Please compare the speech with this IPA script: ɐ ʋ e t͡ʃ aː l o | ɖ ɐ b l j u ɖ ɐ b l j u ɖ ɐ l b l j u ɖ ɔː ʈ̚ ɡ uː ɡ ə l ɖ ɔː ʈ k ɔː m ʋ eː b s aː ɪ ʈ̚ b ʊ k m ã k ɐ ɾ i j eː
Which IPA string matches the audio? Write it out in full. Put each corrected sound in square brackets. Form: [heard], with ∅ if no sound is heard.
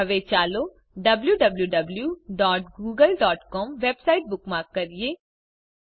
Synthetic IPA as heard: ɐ ʋ e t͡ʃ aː l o | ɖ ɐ b l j u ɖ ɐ b l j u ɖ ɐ [∅] b l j u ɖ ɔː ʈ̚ ɡ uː ɡ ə l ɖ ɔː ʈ k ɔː m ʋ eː b s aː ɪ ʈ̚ b ʊ k m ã k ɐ ɾ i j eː